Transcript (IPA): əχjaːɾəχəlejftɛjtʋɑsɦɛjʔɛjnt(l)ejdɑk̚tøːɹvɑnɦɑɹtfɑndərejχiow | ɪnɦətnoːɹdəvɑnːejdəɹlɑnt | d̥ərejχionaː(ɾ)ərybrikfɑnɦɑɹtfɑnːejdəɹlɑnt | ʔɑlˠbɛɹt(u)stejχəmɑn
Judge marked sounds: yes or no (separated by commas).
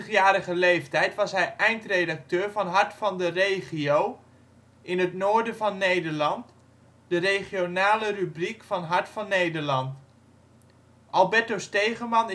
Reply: no, no, no